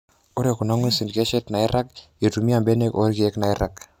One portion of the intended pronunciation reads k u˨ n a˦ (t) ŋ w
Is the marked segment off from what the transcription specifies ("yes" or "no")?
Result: yes